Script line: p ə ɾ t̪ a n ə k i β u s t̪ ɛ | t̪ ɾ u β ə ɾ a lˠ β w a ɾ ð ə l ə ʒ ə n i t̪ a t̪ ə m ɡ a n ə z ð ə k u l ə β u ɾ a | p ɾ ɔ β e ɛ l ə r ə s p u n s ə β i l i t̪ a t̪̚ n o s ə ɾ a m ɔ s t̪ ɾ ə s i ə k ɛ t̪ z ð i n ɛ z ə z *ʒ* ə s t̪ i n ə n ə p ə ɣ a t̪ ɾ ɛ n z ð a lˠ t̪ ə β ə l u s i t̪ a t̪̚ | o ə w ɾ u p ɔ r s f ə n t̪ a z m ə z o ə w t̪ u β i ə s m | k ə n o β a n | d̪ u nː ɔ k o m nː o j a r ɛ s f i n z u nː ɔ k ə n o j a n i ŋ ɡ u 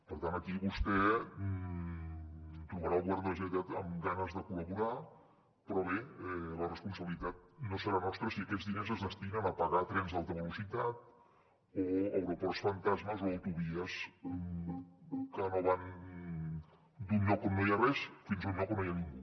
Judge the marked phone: incorrect: ð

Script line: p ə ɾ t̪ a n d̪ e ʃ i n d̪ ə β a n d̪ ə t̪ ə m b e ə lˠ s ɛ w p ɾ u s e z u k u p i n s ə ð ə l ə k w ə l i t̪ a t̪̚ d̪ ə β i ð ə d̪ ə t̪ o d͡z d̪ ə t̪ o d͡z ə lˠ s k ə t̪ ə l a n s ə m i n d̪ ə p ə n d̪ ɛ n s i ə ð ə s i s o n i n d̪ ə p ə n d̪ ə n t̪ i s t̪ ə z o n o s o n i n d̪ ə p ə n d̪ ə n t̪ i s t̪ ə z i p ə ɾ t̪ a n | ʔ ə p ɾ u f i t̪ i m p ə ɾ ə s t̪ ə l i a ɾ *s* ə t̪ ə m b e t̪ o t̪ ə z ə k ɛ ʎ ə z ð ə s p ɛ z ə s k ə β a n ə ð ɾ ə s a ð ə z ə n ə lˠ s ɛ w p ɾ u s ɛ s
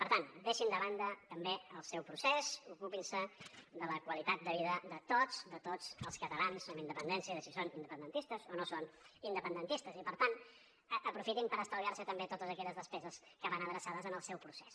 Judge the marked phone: correct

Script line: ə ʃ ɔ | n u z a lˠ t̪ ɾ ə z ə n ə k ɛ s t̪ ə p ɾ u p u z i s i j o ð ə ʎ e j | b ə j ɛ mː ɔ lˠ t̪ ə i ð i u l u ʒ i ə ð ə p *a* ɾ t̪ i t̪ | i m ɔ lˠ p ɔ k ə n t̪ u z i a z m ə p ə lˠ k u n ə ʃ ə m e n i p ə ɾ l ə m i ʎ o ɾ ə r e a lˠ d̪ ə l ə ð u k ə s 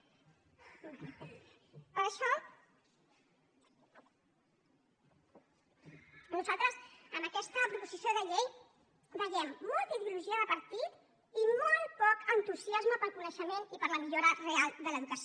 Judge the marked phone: incorrect: ə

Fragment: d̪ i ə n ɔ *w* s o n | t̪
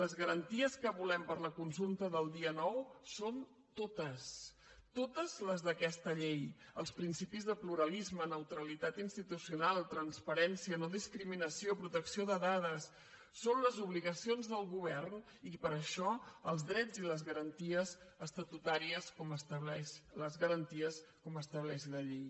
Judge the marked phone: correct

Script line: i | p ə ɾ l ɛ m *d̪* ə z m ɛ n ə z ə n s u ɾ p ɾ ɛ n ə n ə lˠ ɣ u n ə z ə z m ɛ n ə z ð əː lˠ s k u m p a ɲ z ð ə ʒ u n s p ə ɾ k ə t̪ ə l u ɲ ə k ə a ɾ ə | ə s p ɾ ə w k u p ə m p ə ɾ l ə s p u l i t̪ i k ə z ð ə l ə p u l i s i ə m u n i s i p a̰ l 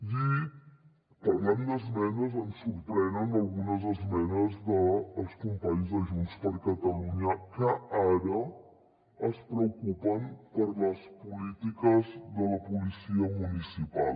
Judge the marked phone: correct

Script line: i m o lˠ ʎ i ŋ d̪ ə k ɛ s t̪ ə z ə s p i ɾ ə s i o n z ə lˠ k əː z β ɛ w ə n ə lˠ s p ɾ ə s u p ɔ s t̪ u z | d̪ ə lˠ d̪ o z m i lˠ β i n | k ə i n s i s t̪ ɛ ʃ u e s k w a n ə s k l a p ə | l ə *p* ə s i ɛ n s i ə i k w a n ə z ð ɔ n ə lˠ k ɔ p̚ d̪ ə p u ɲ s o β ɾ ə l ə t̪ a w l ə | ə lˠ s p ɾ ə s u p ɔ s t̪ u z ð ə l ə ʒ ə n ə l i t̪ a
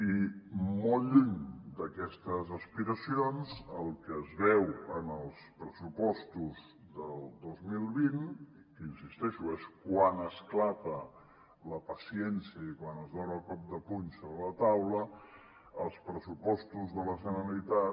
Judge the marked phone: correct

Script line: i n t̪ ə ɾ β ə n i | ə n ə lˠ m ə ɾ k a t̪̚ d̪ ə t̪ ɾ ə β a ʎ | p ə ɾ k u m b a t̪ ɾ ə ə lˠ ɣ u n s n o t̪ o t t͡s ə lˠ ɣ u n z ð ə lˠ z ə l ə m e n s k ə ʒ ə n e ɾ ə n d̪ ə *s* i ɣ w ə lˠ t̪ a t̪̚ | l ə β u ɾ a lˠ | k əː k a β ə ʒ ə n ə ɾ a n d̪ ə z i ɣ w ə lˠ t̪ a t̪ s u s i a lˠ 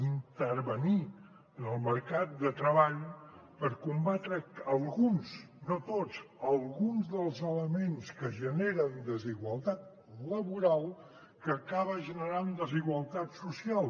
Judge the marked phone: incorrect: z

